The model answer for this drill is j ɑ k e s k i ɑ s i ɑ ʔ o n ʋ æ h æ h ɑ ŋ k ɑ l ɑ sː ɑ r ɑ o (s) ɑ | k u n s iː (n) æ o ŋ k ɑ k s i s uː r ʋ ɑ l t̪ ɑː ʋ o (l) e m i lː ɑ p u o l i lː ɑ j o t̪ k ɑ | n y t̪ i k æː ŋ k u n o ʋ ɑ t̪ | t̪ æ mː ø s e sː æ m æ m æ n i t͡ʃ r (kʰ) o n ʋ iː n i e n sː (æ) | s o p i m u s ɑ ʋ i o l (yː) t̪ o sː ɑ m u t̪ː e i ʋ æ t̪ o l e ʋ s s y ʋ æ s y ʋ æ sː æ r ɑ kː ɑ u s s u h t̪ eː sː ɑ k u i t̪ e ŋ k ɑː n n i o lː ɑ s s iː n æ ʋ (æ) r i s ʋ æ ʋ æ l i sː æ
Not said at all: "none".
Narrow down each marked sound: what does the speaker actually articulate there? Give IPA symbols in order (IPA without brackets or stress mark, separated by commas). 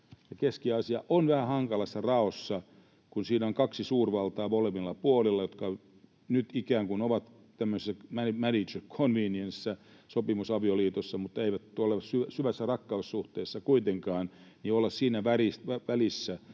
sː, n, l, kʰ, æ, iː, æ